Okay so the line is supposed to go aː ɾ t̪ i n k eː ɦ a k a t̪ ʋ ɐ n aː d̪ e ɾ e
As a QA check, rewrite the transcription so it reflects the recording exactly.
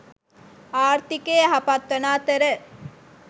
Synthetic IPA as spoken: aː ɾ t̪ i k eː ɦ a p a t̪ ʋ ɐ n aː t̪ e ɾ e

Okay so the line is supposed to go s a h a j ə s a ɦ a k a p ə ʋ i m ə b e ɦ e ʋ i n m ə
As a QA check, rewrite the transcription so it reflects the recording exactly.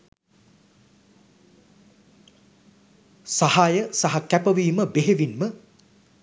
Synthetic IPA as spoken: s a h a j ə s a ɦ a k æ p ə ʋ iː m ə b e ɦ e ʋ i n m ə

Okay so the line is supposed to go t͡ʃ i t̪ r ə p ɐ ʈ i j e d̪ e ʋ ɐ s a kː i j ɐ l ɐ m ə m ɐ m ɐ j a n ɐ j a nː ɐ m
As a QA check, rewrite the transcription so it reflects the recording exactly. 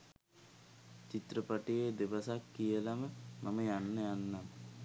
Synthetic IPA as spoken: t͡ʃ i t̪ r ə p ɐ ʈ i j e d̪ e ʋ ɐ s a kː i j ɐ l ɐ m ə m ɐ m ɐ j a nː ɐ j a nː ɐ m

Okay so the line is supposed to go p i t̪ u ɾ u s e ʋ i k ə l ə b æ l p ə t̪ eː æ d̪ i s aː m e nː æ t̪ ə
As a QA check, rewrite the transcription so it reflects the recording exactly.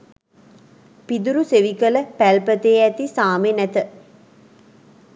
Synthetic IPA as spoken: p i d̪ u ɾ u s e ʋ i k ə l ə p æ l p ə t̪ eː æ t̪ i s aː m e n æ t̪ ə

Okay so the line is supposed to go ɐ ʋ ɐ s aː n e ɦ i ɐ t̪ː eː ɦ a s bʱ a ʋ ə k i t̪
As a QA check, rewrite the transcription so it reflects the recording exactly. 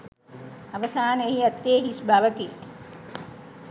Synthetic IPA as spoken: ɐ ʋ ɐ s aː n e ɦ i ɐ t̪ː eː ɦ i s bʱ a ʋ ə k i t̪

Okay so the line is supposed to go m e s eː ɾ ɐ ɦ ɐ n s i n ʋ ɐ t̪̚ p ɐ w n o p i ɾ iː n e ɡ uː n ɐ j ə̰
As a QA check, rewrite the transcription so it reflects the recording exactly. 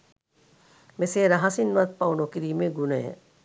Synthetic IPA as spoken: m e s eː ɾ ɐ ɦ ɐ s i n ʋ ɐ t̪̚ p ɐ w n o k i ɾ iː m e ɡ u n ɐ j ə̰

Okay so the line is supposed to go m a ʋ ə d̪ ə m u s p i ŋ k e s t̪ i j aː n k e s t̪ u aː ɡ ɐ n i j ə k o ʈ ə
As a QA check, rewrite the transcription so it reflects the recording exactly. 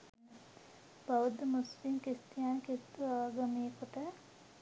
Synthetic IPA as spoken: b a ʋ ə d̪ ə m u s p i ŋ k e s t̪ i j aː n k e s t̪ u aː ɡ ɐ m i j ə k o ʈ ə

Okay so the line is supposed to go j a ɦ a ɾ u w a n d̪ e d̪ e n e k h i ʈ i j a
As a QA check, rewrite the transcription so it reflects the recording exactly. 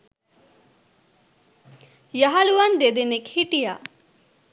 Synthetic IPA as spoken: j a ɦ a l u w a n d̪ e d̪ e n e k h i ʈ i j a

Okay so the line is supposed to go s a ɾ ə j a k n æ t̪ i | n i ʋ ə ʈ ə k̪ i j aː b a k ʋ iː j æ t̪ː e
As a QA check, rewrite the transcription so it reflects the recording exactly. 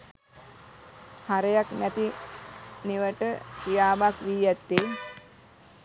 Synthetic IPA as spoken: h a ɾ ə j a k n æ t̪ i | n i ʋ ə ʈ ə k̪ i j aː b a k ʋ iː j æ t̪ː e

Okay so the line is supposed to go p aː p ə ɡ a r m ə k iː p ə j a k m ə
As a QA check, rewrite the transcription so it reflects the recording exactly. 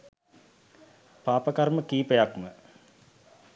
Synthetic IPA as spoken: p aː p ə k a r m ə k iː p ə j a k m ə

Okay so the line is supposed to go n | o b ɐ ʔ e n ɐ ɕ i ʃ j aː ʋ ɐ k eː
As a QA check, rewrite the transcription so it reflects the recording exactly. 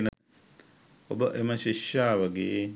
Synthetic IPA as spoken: n | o b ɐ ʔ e m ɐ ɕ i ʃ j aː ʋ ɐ ɡ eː

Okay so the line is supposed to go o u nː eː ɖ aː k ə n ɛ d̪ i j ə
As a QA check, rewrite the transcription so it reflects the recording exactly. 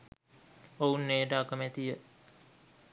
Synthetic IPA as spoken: o u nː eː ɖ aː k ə m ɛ t̪ i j ə

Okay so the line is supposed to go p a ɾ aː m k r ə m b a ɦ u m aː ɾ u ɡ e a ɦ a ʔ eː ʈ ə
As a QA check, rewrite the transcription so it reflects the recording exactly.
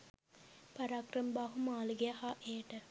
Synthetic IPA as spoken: p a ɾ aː k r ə m b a ɦ u m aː l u ɡ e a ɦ a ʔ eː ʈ ə

